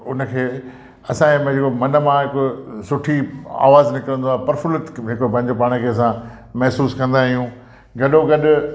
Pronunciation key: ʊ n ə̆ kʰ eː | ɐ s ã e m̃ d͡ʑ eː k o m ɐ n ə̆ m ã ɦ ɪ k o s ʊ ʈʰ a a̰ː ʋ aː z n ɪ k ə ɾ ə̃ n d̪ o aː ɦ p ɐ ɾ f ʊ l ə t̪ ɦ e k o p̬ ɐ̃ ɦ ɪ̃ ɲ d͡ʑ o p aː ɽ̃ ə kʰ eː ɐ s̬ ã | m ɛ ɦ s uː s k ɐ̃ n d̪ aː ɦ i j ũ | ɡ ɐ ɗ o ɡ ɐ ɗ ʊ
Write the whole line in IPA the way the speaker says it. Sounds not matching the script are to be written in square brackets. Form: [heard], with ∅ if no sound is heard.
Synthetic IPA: ʊ n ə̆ kʰ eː | ɐ s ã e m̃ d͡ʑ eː k o m ɐ n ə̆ m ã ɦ ɪ k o s ʊ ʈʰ [i] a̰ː ʋ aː z n ɪ k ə ɾ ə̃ n d̪ o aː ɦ p ɐ ɾ f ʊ l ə t̪ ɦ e k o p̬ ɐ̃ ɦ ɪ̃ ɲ d͡ʑ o p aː ɽ̃ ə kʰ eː ɐ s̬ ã | m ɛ ɦ s uː s k ɐ̃ n d̪ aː ɦ i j ũ | ɡ ɐ ɗ o ɡ ɐ ɗ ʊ

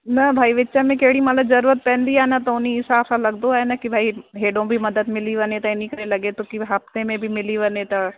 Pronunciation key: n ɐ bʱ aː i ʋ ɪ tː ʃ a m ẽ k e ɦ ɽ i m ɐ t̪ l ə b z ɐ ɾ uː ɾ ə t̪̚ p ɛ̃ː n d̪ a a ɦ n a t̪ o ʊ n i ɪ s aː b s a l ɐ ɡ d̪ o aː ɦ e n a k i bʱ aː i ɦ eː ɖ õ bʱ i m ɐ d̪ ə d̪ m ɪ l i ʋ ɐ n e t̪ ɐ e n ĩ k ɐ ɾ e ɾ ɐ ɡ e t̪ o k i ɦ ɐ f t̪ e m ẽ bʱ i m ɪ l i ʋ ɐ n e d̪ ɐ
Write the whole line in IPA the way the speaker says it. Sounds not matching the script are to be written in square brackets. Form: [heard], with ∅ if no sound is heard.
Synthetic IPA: n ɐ bʱ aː i ʋ ɪ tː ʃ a m ẽ k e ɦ ɽ i m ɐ t̪ l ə b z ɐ ɾ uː ɾ ə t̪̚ p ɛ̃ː n d̪ [i] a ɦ n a t̪ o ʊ n i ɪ s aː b s a l ɐ ɡ d̪ o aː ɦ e n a k i bʱ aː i ɦ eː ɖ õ bʱ i m ɐ d̪ ə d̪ m ɪ l i ʋ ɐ n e t̪ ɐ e n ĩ k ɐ ɾ e [l] ɐ ɡ e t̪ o k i ɦ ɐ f t̪ e m ẽ bʱ i m ɪ l i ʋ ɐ n e [t̪] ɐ

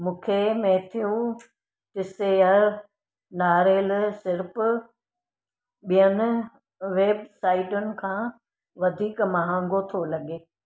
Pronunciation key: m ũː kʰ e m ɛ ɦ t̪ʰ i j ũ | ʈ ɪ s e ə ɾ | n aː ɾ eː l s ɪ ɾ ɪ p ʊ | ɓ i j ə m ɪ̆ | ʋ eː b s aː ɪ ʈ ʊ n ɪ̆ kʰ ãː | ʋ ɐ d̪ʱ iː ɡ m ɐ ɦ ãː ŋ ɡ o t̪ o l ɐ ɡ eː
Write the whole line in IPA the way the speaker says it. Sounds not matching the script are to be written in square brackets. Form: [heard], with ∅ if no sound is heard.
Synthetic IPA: m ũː kʰ e m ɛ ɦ t̪ʰ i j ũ | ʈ ɪ s e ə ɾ | n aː ɾ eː l s ɪ ɾ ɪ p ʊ | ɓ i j ə [n] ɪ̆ | ʋ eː b s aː ɪ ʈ ʊ n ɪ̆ kʰ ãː | ʋ ɐ d̪ʱ iː [k] m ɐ ɦ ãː ŋ ɡ o [t̪ʰ] o l ɐ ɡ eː

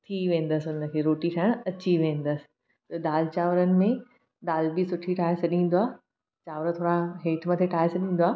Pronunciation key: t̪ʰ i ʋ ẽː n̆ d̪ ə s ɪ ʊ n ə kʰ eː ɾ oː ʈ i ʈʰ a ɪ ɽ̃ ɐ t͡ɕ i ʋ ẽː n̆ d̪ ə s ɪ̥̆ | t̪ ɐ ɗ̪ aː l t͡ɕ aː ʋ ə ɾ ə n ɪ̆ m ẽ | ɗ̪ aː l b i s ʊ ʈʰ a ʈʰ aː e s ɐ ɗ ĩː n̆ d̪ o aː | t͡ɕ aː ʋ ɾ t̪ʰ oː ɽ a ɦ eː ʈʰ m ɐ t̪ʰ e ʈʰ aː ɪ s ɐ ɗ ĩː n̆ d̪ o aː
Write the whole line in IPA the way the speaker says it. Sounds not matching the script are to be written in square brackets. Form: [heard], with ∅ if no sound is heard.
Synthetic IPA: t̪ʰ i ʋ ẽː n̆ d̪ ə s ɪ ʊ n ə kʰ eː ɾ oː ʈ i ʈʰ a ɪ ɽ̃ ɐ t͡ɕ i ʋ ẽː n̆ d̪ ə s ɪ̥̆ | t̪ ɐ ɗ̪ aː l t͡ɕ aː ʋ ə ɾ ə n ɪ̆ m ẽ | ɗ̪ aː l b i s ʊ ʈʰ [i] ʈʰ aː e s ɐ ɗ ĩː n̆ d̪ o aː | t͡ɕ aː ʋ ɾ t̪ʰ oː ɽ a ɦ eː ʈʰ m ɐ t̪ʰ e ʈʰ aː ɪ s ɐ ɗ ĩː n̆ d̪ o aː

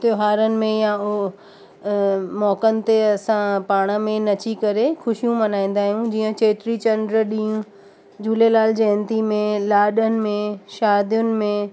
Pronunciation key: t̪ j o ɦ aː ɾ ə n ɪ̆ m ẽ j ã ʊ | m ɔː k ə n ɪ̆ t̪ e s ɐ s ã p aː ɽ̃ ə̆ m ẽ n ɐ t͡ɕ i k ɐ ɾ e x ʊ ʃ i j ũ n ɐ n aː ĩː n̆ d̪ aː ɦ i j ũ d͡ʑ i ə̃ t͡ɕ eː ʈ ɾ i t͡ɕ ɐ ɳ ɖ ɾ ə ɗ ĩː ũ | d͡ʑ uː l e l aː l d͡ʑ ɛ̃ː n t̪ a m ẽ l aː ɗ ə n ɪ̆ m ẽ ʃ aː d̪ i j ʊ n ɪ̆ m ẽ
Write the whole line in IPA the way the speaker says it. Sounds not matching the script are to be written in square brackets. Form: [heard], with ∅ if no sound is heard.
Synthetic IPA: t̪ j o ɦ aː ɾ ə n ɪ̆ m ẽ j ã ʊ | m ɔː k ə n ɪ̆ t̪ e [∅] ɐ s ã p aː ɽ̃ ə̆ m ẽ n ɐ t͡ɕ i k ɐ ɾ e x ʊ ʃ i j ũ [m] ɐ n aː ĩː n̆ d̪ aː ɦ i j ũ d͡ʑ [iː] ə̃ t͡ɕ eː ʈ ɾ i t͡ɕ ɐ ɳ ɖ ɾ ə ɗ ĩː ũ | d͡ʑ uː l e l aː l d͡ʑ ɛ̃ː n t̪ [i] m ẽ l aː ɗ ə n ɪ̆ m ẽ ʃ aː d̪ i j ʊ n ɪ̆ m ẽ

